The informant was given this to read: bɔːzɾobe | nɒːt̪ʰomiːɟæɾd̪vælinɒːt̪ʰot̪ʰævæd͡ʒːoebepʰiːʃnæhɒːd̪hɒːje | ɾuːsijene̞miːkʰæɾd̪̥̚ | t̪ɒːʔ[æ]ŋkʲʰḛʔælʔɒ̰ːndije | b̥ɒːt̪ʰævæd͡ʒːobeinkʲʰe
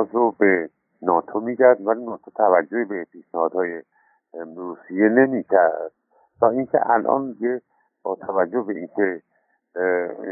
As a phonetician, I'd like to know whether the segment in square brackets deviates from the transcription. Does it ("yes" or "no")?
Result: yes